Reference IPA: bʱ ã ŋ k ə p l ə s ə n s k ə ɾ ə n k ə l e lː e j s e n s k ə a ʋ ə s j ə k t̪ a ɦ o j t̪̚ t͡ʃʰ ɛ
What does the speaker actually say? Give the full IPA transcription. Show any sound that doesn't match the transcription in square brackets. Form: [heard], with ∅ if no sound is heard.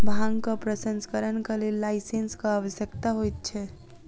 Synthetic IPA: bʱ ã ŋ k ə p [ɾ] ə s ə n s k ə ɾ ə n k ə l e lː [a] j s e n s k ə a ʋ ə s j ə k t̪ a ɦ o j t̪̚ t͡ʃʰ ɛ